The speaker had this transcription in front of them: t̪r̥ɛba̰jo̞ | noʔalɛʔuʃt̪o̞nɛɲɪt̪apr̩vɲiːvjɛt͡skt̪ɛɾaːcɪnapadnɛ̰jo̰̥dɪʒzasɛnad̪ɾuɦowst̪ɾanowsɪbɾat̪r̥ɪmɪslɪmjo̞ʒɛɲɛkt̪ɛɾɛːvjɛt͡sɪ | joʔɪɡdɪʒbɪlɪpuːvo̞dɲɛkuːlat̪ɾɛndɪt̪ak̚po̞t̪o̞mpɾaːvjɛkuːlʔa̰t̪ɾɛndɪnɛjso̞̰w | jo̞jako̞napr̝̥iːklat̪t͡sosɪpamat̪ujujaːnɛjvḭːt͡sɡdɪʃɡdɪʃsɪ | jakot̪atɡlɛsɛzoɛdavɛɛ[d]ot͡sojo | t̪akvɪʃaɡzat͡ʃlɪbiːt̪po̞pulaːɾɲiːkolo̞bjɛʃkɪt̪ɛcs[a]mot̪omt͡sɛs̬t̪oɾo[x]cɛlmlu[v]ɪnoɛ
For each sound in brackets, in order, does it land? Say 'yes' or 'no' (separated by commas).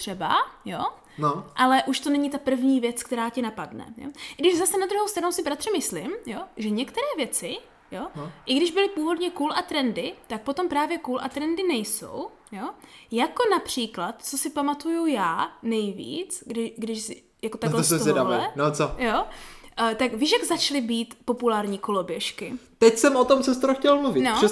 no, no, yes, yes